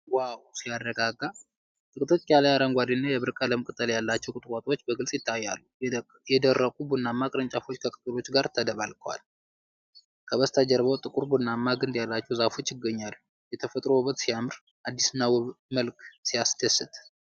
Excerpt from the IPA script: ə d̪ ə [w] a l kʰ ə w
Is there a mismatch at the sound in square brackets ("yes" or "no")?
yes